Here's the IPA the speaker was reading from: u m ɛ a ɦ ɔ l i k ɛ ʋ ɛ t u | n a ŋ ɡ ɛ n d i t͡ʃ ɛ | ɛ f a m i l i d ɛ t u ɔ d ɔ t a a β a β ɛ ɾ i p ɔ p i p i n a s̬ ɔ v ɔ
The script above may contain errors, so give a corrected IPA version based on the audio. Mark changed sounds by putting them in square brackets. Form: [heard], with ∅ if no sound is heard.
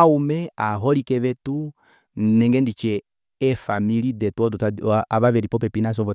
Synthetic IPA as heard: u m ɛ a ɦ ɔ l i k ɛ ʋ ɛ t u | n [ɛ] ŋ ɡ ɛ n d i t͡ʃ ɛ | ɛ f a m i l i d ɛ t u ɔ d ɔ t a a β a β ɛ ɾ i p ɔ p [ɛ] p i n a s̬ ɔ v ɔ